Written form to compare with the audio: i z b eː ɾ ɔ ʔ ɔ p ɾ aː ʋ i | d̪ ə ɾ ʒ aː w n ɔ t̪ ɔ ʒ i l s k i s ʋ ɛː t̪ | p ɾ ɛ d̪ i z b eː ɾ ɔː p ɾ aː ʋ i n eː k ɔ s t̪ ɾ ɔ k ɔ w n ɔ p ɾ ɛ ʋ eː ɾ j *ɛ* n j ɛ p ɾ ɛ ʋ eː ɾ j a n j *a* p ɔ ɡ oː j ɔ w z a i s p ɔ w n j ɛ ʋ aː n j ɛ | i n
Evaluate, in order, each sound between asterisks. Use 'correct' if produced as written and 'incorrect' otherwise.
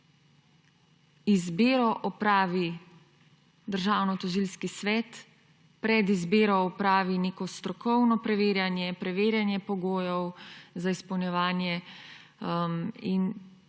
incorrect, incorrect

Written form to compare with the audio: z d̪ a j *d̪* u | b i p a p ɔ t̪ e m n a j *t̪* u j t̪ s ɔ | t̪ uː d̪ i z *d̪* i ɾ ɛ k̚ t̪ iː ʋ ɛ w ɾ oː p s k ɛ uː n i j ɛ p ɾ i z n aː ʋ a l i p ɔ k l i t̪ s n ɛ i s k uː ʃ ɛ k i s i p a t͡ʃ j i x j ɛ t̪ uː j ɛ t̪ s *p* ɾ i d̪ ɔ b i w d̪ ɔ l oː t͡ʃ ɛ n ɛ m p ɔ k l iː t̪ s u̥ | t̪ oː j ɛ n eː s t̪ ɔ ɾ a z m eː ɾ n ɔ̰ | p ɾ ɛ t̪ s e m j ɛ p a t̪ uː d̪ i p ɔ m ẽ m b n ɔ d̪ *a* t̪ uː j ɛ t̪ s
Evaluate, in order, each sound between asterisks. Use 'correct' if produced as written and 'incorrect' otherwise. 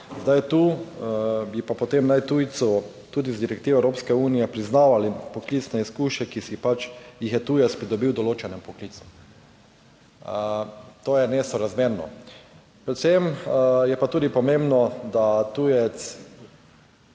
incorrect, correct, correct, correct, correct

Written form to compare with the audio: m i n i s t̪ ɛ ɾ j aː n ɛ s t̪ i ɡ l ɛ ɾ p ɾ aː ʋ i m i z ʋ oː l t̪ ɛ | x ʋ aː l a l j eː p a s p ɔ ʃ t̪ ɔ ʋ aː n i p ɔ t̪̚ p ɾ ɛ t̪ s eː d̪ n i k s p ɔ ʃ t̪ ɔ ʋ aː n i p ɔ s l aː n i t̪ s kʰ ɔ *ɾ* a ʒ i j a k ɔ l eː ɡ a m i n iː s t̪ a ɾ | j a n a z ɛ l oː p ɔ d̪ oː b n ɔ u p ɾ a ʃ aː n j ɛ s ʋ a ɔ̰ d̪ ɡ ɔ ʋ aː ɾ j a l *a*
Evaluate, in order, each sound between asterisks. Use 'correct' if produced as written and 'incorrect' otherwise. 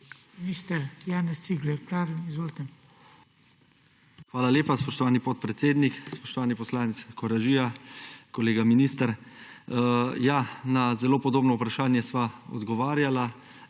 correct, correct

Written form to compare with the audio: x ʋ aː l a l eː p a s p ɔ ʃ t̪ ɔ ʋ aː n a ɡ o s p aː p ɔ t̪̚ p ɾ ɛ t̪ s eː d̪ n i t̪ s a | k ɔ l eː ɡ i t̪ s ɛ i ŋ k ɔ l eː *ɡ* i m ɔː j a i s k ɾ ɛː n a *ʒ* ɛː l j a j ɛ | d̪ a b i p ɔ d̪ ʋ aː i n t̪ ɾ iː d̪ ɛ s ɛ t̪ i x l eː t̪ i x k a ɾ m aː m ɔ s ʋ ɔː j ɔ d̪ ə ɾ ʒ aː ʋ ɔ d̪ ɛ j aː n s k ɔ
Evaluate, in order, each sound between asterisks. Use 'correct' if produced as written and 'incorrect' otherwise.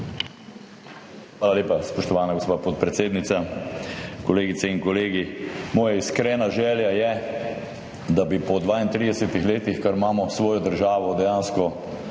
correct, correct

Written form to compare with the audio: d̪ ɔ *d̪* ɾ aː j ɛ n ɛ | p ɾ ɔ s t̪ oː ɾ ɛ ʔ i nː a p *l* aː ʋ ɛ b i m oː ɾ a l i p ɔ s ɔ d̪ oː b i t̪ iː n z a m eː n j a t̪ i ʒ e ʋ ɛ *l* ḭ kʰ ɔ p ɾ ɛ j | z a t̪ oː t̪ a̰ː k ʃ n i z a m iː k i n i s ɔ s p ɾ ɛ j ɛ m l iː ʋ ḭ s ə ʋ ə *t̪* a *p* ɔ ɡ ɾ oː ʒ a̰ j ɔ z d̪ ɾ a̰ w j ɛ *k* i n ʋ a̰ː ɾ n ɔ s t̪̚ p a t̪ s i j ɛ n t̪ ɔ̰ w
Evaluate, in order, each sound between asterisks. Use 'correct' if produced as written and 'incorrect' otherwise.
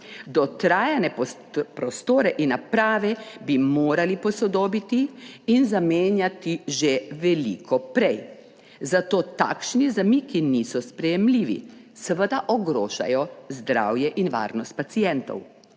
incorrect, incorrect, correct, incorrect, incorrect, incorrect

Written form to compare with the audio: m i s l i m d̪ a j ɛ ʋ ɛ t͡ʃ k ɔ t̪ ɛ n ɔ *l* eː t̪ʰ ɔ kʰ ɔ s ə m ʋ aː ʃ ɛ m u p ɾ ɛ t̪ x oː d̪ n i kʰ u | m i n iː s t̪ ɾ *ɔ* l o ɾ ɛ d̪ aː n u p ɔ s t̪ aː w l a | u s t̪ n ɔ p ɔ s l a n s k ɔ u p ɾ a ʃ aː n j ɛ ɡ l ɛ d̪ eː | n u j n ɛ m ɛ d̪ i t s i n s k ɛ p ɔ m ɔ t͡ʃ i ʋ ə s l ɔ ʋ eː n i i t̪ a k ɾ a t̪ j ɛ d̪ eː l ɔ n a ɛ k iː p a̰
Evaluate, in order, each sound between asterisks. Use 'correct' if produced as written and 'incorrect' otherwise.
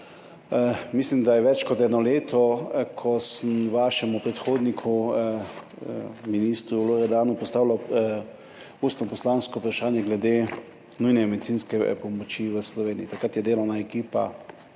correct, incorrect

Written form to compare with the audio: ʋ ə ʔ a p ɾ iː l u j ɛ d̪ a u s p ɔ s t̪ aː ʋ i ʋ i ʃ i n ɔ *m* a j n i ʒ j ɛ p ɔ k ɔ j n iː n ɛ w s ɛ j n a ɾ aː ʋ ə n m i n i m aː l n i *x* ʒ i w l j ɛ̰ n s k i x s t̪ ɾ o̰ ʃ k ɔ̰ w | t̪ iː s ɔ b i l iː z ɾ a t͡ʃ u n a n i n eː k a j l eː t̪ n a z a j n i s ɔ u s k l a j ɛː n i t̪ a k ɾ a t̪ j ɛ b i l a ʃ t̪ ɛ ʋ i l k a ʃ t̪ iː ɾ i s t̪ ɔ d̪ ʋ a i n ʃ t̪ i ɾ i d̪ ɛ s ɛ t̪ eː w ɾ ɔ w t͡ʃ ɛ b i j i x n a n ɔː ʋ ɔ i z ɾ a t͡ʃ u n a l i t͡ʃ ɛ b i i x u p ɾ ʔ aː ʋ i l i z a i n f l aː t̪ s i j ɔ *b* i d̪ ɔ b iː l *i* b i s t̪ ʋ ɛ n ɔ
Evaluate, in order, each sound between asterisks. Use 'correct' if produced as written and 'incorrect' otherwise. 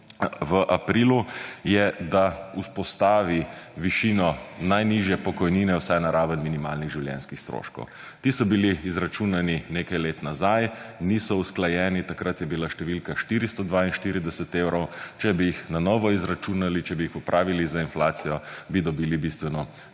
incorrect, incorrect, correct, correct

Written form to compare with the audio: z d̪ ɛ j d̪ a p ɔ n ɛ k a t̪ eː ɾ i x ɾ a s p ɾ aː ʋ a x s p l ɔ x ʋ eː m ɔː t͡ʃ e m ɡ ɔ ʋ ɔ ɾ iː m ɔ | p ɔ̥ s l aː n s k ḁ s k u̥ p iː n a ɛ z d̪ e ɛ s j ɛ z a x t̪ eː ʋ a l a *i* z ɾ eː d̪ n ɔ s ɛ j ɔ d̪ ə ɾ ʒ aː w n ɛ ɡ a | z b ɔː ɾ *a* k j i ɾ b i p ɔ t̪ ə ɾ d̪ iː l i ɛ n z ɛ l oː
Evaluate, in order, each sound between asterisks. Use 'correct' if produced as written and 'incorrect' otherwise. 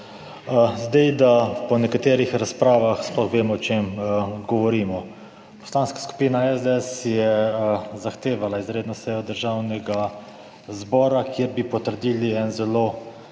correct, correct

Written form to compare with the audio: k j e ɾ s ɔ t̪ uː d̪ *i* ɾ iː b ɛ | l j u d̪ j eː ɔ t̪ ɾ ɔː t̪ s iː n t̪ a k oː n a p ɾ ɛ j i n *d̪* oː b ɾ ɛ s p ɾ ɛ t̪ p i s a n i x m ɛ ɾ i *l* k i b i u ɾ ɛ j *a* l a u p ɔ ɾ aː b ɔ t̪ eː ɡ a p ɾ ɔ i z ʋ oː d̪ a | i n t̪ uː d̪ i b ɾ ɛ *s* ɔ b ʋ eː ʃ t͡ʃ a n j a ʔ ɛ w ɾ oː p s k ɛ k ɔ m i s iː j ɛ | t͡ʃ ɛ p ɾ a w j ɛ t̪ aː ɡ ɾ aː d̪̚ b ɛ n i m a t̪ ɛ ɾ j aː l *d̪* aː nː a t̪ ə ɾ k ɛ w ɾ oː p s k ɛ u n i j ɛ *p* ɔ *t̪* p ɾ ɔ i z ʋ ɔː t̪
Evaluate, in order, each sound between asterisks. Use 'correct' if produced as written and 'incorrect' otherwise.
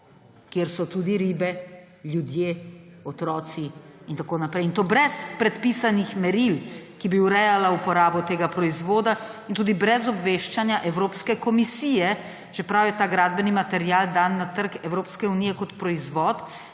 correct, incorrect, correct, correct, incorrect, correct, incorrect, correct

